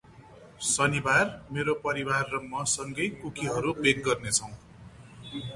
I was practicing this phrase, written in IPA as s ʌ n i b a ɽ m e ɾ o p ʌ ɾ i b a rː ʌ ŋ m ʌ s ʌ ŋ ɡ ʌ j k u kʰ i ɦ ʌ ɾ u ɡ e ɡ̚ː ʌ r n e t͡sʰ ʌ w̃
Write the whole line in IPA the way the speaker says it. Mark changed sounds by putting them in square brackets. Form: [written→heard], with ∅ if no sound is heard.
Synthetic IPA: s ʌ n i b a [ɽ→r] m e ɾ o p ʌ ɾ i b a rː ʌ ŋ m ʌ s ʌ ŋ ɡ ʌ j k u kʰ i ɦ ʌ ɾ u [ɡ→b] e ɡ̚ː ʌ r n e t͡sʰ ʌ w̃